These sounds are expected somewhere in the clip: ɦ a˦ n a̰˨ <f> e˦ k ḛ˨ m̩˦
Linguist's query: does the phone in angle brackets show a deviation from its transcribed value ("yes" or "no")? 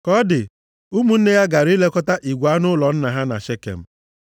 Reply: yes